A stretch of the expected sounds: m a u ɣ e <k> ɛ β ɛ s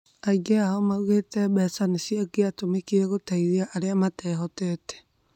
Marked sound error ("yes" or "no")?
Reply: yes